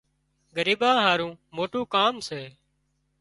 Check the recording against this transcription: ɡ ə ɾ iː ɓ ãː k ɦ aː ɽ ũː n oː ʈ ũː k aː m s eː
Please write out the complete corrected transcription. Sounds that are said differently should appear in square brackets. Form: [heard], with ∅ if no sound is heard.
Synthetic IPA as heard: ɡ ə ɾ iː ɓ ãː [∅] ɦ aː [ɾ] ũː [m] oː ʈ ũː k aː m s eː